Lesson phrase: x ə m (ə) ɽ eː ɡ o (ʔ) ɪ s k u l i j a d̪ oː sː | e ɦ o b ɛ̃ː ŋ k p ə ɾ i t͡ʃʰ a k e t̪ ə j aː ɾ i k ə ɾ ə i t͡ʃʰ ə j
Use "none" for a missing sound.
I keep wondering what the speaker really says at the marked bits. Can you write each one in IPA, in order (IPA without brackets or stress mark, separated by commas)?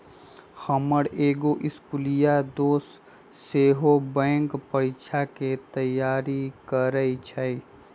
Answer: ə, ʔ